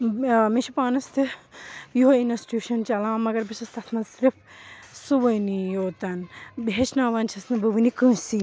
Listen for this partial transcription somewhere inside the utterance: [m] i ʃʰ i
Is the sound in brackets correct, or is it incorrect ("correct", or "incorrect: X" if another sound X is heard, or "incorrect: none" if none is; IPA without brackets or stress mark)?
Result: correct